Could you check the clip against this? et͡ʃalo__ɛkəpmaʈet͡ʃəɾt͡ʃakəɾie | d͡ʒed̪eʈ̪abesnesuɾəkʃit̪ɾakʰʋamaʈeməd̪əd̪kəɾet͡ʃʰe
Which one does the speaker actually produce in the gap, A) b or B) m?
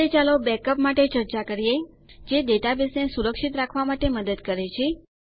A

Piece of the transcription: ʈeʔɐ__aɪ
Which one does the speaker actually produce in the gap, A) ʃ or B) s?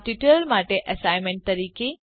B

